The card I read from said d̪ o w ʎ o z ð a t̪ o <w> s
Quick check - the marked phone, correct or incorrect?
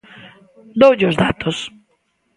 incorrect: none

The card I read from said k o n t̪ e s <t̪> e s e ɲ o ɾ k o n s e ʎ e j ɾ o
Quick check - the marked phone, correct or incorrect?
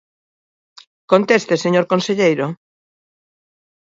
correct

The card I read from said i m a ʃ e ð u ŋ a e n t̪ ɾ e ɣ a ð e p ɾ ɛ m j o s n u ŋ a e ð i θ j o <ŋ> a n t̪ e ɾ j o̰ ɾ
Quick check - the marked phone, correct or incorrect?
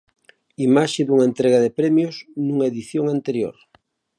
correct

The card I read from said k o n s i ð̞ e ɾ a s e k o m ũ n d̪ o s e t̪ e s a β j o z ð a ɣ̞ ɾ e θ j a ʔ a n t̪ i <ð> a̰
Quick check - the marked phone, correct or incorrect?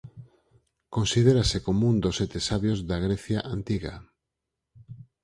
incorrect: ɣ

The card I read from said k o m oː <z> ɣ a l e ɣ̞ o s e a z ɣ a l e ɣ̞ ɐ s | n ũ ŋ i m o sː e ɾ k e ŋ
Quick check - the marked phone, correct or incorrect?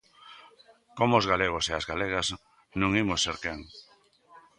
correct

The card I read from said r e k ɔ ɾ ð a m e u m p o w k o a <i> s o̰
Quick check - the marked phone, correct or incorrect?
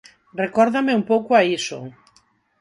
correct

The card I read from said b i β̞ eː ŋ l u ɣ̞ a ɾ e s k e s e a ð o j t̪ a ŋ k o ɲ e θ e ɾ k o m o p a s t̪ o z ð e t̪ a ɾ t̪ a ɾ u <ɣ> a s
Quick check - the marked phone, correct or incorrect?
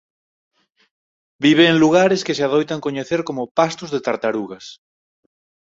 correct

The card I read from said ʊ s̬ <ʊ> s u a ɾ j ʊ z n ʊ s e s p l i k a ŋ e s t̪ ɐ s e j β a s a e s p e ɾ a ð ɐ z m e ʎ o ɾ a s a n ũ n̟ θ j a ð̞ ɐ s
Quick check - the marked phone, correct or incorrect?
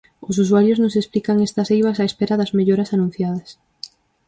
incorrect: u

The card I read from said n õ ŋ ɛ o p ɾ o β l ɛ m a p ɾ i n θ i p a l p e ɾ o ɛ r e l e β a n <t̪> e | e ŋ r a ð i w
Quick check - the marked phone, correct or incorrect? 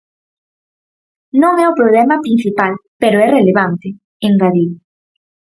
correct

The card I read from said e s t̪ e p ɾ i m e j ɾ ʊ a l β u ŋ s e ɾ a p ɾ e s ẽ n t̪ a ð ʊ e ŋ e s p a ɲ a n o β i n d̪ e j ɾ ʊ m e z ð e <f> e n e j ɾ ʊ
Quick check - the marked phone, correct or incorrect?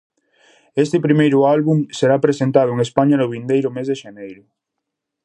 incorrect: ʃ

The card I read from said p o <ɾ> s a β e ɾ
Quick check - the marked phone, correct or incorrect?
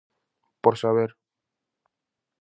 correct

